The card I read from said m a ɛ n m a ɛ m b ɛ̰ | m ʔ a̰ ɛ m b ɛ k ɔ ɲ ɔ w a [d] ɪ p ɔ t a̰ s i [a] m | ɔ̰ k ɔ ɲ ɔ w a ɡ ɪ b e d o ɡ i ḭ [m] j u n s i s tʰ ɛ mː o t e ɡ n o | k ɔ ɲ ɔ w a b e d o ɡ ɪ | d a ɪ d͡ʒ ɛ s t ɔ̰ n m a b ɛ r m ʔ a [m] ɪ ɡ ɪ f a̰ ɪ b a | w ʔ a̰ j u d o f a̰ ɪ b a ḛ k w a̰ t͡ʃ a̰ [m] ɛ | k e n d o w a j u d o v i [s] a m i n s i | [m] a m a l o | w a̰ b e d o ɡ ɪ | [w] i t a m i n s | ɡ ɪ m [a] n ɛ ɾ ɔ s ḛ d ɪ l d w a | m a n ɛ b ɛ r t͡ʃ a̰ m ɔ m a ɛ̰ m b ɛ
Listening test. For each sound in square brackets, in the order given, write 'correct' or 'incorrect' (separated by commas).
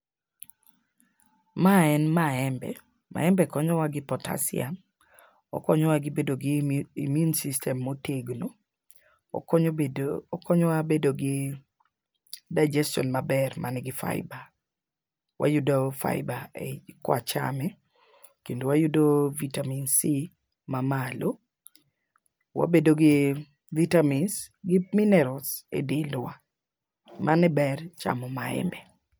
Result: incorrect, correct, correct, incorrect, correct, incorrect, correct, incorrect, incorrect